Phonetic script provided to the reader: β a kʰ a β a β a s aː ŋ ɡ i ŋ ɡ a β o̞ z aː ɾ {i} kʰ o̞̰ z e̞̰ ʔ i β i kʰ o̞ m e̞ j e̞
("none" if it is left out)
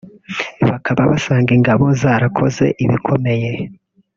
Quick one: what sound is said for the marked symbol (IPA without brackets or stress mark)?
a